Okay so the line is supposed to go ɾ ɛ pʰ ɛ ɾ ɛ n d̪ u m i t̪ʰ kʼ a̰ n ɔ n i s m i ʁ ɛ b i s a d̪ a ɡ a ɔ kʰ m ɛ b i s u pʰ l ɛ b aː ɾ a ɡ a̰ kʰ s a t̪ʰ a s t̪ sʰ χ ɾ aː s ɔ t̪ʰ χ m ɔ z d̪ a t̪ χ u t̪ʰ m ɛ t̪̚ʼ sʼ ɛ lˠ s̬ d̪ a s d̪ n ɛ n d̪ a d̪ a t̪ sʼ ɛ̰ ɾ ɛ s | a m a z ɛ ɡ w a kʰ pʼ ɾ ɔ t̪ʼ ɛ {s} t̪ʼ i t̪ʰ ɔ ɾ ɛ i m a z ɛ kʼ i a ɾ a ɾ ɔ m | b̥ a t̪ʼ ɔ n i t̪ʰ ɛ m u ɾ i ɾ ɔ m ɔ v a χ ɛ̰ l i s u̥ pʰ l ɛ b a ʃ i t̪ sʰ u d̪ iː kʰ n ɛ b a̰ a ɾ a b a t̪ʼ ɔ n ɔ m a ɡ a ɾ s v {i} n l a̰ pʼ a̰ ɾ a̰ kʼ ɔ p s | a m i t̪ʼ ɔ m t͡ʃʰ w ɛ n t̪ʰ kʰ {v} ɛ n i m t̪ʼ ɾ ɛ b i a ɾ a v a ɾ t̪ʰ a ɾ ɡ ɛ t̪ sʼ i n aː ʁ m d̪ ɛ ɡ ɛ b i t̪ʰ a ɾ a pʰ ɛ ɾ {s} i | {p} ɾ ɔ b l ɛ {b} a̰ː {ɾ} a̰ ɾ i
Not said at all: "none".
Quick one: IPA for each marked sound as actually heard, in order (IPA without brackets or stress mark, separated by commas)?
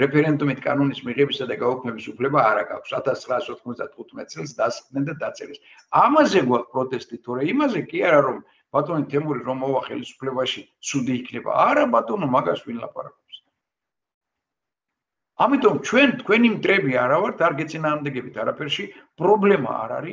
s, i, w, ʃ, pʼ, m, ɾ